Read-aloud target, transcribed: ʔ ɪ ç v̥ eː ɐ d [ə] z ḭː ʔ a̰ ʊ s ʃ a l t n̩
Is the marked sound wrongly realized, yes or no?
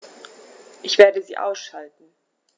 no